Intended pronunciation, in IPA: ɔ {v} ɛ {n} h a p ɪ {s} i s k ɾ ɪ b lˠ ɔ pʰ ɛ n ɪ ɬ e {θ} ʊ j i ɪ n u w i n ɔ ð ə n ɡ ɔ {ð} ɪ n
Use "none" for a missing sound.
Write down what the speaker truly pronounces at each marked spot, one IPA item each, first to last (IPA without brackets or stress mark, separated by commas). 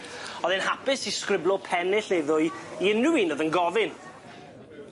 ð, n, s, ð, v